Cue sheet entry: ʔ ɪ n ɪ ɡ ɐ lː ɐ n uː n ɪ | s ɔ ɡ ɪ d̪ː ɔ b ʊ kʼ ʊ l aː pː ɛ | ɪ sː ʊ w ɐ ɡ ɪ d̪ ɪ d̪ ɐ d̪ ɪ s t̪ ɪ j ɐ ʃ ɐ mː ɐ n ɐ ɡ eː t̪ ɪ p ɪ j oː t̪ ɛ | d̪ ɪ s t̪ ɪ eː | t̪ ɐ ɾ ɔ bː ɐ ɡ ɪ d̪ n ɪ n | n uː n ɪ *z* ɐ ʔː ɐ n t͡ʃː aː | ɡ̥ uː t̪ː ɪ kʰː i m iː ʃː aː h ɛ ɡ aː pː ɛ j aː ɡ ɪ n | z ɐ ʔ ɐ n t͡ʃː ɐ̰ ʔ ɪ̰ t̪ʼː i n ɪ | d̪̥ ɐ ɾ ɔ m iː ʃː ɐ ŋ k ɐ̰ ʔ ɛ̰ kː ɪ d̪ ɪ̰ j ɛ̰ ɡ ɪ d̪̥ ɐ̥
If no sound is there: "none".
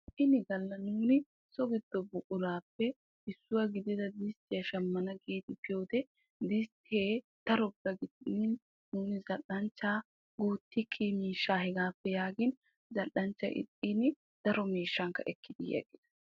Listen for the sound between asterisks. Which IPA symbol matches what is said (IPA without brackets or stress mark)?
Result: z